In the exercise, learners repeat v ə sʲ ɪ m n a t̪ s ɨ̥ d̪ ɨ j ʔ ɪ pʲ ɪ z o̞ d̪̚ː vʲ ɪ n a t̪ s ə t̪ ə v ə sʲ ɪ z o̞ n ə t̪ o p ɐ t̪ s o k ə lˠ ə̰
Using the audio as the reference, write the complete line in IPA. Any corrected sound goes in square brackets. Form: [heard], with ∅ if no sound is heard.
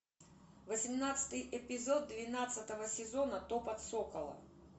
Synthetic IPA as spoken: v ə sʲ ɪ m n a t̪ s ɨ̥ [t̪] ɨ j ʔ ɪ pʲ ɪ z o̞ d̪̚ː vʲ ɪ n a t̪ s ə t̪ ə v ə sʲ ɪ z o̞ n ə t̪ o p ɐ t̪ s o k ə lˠ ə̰